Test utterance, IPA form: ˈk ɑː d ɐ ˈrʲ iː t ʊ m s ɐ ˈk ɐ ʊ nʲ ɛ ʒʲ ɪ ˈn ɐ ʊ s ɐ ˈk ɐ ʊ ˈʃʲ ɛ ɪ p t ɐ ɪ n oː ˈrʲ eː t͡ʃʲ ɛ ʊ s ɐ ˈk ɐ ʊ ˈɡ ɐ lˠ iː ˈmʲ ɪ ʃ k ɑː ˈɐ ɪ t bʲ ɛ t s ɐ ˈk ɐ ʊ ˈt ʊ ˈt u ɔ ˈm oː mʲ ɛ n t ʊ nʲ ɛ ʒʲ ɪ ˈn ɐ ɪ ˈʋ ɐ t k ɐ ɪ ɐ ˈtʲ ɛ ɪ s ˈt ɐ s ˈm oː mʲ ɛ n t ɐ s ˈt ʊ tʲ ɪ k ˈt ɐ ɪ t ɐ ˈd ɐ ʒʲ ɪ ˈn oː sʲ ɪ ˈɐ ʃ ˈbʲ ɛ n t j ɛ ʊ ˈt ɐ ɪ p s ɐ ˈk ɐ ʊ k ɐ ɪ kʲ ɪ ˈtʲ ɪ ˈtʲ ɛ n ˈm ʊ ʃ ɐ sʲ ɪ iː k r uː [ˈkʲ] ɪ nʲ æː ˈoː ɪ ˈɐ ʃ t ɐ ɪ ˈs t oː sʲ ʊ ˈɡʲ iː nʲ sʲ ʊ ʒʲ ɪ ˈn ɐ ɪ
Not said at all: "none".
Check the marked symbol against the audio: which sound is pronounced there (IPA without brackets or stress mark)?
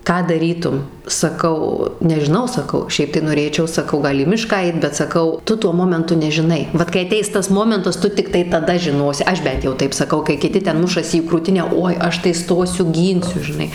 tʲ